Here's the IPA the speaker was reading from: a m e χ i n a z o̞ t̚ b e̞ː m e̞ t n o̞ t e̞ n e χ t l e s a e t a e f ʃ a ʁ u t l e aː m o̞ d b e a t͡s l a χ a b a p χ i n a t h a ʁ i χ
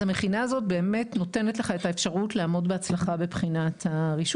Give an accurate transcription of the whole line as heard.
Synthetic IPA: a m e χ i n a z o̞ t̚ b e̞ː m e̞ t n o̞ t e̞ n e t l e χ a e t a e f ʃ a ʁ u t l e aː m o̞ d b e a t͡s l a χ a b e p χ i n a t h a ʁ i ʃ